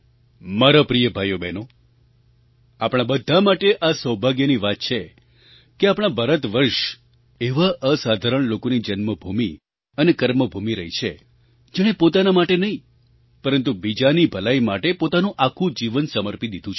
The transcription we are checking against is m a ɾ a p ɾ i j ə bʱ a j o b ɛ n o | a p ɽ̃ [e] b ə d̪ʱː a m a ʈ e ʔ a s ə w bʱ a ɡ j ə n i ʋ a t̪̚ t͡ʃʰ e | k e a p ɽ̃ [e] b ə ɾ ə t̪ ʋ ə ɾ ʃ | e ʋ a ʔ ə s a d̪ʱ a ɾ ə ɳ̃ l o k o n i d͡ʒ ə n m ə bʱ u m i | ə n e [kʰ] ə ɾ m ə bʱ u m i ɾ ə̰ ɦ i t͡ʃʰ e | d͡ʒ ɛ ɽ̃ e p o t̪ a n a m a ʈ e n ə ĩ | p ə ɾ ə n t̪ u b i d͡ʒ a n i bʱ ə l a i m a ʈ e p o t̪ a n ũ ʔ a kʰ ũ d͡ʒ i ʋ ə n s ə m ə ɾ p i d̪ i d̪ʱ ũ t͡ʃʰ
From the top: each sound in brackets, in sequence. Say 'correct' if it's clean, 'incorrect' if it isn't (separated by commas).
incorrect, incorrect, incorrect